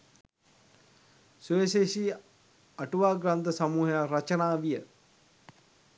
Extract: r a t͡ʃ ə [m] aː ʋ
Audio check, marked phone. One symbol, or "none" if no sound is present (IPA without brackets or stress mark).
n